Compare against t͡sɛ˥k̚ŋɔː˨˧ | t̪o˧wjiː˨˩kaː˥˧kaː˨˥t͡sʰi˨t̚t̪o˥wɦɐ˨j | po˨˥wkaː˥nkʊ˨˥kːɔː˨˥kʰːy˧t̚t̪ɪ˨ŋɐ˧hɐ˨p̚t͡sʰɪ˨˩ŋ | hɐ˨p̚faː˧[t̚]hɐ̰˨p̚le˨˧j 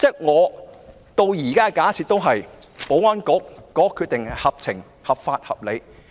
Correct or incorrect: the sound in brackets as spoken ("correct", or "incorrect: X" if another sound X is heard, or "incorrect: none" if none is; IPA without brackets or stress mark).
correct